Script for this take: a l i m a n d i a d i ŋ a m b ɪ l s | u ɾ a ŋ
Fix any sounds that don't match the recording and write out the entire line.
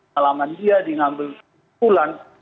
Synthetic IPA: a l a m a n d i a d i ŋ a m b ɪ l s | u l a n